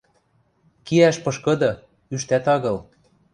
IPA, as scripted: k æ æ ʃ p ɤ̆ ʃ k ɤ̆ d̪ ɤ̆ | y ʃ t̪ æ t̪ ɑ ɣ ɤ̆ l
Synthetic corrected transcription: k i æ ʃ p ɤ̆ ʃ k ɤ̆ d̪ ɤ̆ | y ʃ t̪ æ t̪ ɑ ɣ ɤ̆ l